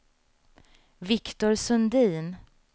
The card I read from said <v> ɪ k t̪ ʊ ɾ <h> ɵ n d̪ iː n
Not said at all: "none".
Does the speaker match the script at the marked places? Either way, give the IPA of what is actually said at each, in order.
v, s

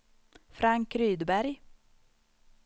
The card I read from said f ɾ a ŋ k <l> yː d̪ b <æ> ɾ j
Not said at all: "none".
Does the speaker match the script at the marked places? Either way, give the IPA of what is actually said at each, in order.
ɾ, æ

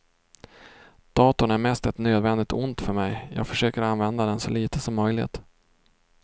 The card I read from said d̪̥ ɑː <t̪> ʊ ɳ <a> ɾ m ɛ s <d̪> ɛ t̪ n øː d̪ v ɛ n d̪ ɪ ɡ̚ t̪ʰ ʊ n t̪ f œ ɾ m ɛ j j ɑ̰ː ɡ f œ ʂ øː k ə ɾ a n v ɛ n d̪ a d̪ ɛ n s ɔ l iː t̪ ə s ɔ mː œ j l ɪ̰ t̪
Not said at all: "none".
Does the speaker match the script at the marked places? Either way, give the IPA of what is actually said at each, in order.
t̪, æ, t̪

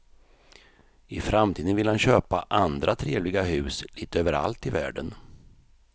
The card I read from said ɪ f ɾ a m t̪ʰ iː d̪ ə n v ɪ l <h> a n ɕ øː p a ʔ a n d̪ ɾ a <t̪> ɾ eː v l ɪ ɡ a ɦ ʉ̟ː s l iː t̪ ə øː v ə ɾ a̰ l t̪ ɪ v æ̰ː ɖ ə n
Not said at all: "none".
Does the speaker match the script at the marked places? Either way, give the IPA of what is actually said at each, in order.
h, t̪ʰ

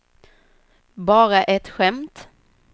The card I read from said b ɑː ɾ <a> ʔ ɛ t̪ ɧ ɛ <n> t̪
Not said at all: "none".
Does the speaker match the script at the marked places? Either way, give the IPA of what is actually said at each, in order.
a, m

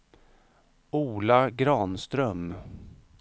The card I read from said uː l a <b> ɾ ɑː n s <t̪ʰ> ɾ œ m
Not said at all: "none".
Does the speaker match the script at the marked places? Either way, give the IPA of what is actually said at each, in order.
ɡ, t̪

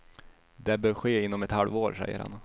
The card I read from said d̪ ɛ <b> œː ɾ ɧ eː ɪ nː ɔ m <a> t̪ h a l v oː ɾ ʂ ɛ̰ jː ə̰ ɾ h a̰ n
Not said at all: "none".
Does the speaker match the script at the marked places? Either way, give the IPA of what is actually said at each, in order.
b, ɛ

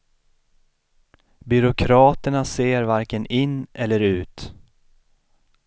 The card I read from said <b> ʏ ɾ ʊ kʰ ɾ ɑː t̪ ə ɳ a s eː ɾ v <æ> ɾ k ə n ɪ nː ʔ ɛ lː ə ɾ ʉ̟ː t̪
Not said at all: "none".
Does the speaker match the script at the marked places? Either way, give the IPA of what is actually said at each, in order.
b, a

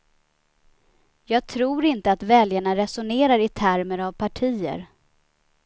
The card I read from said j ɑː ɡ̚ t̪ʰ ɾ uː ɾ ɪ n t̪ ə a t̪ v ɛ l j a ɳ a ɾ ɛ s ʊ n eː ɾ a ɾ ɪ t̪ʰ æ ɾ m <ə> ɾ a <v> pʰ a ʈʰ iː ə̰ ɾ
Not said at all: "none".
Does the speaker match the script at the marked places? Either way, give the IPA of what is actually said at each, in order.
ə, v

